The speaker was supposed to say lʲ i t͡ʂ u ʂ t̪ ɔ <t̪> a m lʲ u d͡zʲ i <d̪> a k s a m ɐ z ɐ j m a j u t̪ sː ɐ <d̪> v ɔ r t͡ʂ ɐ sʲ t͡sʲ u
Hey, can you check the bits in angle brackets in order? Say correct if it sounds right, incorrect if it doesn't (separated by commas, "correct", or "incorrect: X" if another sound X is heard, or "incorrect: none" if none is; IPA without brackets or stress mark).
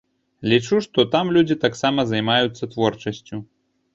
correct, incorrect: t̪, incorrect: t̪